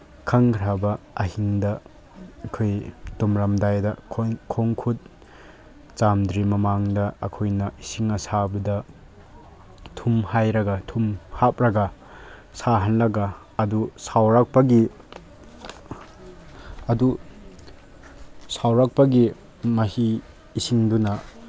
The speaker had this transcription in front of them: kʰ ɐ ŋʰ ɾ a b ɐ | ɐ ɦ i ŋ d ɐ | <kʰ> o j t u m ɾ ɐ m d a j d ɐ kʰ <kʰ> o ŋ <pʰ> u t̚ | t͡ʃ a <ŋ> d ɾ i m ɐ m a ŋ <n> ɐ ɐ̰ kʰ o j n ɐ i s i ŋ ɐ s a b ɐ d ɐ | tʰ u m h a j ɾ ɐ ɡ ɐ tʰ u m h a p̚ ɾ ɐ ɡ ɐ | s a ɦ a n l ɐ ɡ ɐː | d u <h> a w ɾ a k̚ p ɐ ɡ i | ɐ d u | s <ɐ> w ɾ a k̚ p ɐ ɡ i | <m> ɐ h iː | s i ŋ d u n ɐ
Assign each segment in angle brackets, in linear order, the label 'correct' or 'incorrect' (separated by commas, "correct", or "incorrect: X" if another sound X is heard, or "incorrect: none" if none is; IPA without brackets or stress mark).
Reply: correct, correct, incorrect: kʰ, incorrect: m, incorrect: d, incorrect: s, incorrect: a, correct